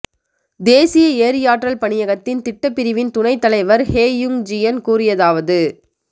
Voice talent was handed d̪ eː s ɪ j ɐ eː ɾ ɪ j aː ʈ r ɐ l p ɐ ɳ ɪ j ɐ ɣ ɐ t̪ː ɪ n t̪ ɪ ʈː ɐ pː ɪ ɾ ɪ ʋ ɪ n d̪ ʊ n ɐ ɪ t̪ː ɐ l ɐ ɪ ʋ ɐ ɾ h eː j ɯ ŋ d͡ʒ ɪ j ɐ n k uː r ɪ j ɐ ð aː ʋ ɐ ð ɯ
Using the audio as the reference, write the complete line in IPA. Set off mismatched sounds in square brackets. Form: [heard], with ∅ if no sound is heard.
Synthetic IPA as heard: d̪ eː s ɪ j ɐ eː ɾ ɪ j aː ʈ r ɐ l p ɐ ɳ ɪ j ɐ ɣ ɐ t̪ː ɪ n t̪ ɪ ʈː ɐ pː ɪ ɾ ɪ ʋ ɪ n [t̪] ʊ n ɐ ɪ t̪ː ɐ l ɐ ɪ ʋ ɐ ɾ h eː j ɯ ŋ d͡ʒ ɪ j ɐ n k uː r ɪ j ɐ ð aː ʋ ɐ ð ɯ